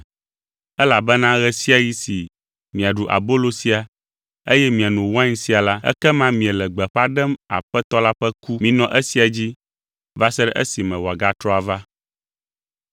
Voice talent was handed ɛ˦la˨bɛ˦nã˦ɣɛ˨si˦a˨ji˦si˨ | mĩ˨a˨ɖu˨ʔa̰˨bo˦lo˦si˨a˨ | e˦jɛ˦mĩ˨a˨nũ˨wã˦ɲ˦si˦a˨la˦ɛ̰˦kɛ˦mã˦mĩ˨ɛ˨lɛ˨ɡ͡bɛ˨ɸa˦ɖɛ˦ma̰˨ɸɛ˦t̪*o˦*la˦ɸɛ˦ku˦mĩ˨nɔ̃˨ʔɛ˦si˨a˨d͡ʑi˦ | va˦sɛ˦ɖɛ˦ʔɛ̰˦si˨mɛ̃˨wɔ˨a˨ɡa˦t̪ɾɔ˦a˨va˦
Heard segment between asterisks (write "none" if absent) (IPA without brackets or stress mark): ɔ˦